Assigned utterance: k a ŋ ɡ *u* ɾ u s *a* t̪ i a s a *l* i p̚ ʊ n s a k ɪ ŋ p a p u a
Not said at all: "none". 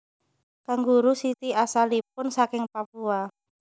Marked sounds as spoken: u, i, l

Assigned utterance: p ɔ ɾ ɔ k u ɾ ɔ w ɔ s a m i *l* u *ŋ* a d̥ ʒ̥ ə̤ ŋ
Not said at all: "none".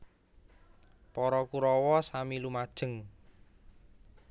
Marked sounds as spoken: l, m

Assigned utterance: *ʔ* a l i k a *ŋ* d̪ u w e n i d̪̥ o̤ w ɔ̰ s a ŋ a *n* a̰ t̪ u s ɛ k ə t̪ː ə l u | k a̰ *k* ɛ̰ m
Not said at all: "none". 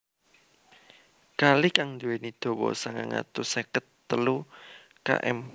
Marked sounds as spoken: k, ŋ, ŋ, ʔ

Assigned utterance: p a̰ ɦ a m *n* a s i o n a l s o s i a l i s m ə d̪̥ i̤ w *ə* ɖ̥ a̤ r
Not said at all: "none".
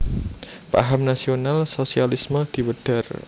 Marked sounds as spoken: n, ə

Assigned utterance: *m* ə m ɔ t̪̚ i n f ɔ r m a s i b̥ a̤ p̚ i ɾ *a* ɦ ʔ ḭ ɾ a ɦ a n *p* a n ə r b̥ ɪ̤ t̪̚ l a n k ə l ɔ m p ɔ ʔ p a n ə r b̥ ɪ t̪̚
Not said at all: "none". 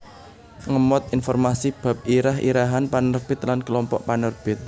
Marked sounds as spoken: ŋ, a, p

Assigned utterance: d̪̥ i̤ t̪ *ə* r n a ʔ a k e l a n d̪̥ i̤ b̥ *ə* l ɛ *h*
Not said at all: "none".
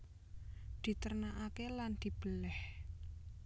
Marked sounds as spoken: ə, ə, h

